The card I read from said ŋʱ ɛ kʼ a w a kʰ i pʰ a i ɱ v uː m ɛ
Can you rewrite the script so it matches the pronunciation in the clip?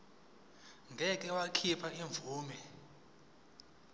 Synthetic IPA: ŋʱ ɛ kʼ ɛ w a kʰ i pʰ a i ɱ v uː m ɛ

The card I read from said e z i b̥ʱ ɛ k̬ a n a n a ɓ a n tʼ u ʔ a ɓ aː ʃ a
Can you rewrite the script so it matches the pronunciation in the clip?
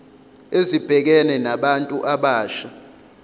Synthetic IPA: e z i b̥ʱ ɛ k̬ ɛ n ɛ n a ɓ a n tʼ u ʔ a ɓ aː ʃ a

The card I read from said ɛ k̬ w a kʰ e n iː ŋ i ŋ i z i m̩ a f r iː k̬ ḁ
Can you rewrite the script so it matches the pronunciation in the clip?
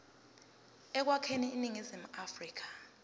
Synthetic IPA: ɛ k̬ w a kʰ e n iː n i ŋ i z i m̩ a f r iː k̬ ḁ

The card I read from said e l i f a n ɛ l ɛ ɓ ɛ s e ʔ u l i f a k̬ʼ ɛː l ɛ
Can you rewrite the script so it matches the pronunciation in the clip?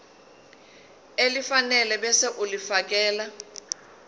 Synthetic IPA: e l i f a n ɛ l ɛ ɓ ɛ s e ʔ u l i f a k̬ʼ ɛː l a

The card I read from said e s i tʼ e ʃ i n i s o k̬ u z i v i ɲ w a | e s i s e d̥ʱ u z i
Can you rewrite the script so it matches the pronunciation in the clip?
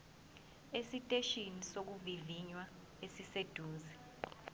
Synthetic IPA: e s i tʼ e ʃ i n i s o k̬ u v i v i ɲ w a | e s i s e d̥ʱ uː z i

